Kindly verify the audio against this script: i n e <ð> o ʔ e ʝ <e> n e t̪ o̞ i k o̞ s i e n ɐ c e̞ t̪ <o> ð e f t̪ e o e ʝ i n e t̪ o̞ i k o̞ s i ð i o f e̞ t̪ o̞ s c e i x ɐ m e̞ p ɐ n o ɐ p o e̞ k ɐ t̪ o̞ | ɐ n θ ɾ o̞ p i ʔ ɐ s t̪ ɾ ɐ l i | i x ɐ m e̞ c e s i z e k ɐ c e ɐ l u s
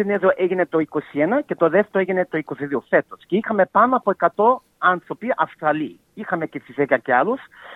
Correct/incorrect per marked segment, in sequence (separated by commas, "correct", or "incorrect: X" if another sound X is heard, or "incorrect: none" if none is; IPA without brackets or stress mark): correct, incorrect: i, correct